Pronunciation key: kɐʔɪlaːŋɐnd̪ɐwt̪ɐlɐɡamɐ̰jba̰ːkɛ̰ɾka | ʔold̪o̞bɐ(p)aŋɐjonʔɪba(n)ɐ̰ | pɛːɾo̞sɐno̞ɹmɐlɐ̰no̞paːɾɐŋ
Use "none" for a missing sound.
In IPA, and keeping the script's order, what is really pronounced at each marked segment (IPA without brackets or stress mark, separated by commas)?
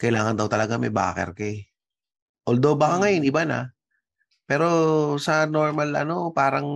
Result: k, n